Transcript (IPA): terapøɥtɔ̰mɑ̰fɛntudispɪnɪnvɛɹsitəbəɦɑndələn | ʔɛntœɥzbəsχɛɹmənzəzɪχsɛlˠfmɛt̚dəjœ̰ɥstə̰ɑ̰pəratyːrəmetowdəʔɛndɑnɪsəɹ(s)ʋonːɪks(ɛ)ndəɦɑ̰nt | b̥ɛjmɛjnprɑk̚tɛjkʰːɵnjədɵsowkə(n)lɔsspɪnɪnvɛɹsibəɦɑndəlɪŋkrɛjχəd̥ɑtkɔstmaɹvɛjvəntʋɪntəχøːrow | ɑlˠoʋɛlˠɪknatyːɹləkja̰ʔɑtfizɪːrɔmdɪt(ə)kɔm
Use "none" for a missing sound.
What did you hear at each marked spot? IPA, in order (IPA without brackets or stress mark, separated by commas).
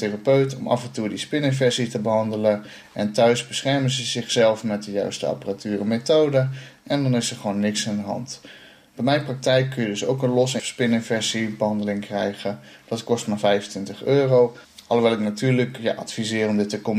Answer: χ, a, n, ə